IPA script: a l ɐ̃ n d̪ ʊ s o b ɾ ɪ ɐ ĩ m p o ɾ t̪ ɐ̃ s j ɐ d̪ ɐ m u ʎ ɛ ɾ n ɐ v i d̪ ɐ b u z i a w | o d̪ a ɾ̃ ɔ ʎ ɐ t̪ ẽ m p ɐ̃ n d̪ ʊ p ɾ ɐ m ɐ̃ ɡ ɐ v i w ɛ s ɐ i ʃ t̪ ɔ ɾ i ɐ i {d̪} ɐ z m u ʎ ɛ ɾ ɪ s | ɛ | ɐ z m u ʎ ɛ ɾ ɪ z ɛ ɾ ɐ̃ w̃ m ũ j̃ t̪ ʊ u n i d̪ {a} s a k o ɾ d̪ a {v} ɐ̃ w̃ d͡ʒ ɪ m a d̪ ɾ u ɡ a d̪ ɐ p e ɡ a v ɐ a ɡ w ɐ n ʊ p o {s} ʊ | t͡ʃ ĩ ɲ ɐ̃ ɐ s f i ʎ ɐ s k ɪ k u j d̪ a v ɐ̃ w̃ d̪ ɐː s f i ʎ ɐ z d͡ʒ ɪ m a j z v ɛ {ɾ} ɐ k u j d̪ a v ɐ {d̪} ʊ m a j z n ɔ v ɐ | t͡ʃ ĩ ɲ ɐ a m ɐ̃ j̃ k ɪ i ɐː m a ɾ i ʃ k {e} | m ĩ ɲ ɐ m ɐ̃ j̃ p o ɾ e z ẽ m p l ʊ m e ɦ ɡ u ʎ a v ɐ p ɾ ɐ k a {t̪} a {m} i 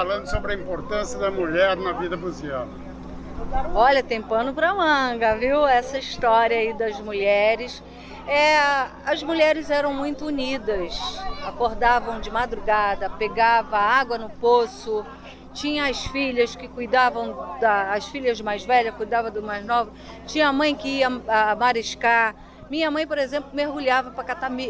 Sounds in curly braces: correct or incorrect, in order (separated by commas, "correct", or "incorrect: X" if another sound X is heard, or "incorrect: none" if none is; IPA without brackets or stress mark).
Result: correct, incorrect: ɐ, correct, correct, incorrect: ʎ, correct, incorrect: a, correct, correct